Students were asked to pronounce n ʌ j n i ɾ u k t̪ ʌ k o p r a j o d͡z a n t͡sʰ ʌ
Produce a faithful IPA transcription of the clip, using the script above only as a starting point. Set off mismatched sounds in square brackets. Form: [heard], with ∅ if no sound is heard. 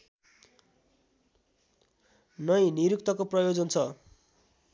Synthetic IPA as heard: n ʌ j n i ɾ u k t̪ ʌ k o p r [ʌ] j o d͡z [ʌ] n t͡sʰ ʌ